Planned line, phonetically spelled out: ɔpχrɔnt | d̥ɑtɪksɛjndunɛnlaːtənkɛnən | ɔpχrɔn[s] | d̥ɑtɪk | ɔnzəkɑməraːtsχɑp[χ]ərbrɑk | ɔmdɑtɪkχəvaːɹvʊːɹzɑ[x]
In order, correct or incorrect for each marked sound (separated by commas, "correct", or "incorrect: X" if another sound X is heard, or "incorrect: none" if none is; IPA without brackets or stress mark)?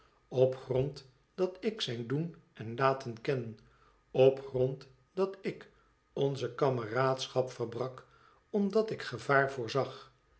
incorrect: t, incorrect: f, incorrect: χ